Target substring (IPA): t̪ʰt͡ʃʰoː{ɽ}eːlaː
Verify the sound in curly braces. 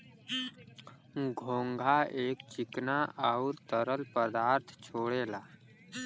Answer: correct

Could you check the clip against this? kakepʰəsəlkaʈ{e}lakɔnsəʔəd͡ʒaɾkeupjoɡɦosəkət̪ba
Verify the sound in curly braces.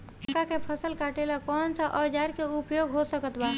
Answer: correct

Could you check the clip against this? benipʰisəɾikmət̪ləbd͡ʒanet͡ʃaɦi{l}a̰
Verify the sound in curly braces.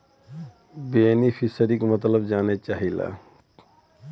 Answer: correct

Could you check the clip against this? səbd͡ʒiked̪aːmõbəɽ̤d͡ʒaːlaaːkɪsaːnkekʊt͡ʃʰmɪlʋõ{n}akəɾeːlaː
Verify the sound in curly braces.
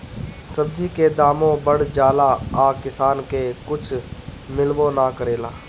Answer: correct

